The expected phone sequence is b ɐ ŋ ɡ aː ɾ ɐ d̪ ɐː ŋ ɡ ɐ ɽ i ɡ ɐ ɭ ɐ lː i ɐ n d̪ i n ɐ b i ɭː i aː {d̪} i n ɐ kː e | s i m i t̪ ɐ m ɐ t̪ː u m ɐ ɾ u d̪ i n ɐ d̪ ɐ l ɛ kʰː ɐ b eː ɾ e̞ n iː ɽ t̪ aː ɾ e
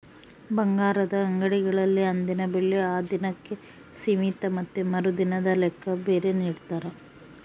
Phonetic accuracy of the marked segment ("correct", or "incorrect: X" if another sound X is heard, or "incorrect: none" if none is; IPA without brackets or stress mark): correct